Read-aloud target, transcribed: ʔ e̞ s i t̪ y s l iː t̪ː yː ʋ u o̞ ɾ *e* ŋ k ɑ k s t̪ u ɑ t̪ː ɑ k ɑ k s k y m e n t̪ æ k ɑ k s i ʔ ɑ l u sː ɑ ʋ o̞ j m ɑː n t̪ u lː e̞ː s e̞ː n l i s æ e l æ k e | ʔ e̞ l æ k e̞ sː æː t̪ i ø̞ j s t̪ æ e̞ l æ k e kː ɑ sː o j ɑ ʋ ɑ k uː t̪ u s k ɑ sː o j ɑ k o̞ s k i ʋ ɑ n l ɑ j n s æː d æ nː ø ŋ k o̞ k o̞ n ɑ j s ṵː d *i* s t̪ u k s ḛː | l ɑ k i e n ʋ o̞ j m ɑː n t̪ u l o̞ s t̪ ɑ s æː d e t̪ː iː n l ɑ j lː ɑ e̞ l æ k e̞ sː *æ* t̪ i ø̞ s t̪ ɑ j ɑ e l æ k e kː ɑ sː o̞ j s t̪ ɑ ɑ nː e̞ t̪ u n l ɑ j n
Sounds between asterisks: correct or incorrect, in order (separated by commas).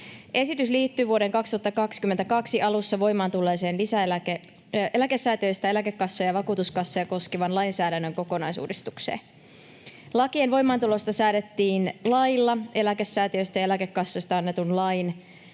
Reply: correct, correct, incorrect